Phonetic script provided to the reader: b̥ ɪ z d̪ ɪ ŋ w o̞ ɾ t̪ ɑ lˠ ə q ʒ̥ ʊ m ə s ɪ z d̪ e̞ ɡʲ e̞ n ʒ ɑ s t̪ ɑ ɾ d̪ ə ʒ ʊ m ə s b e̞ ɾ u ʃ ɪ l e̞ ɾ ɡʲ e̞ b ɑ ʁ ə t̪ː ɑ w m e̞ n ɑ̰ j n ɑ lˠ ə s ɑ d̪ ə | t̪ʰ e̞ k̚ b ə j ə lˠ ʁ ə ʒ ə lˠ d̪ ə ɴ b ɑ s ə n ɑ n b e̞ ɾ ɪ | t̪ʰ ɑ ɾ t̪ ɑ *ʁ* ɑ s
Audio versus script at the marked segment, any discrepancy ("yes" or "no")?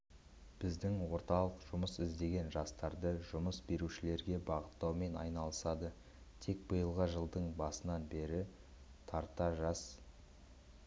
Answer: yes